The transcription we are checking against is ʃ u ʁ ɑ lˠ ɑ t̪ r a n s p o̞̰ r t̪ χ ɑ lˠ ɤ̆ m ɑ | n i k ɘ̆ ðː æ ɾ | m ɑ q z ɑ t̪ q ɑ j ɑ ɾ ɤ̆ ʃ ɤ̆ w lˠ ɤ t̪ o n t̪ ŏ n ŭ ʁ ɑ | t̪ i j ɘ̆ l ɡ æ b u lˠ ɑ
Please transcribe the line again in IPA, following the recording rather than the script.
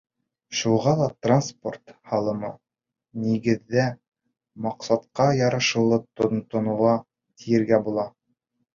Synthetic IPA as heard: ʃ u ʁ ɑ lˠ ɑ t̪ r a n s p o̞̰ r t̪ h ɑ lˠ ɤ̆ m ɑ | n i ɡ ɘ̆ ðː æ | m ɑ q s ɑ t̪ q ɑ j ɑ ɾ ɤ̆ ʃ ɤ̆ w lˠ ɤ t̪ o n t̪ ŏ n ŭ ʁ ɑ | t̪ i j ɘ̆ ɾ ɡ æ b u lˠ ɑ

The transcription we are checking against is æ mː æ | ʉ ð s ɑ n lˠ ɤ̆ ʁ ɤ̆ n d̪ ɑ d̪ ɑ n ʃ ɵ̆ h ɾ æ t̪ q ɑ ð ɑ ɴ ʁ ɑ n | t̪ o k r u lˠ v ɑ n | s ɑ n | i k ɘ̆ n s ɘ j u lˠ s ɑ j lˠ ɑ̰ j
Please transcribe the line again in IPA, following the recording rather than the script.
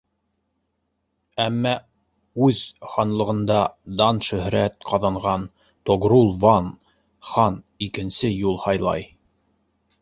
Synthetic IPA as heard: æ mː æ | ʉ ð χ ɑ n lˠ ɤ̆ ʁ ɤ̆ n d̪ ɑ d̪ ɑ n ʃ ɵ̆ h ɾ æ t̪ q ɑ ð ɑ ɴ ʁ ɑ n | t̪ o ɡ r u lˠ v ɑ n | χ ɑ n | i k ɘ̆ n s ɘ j u lˠ h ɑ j lˠ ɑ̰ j

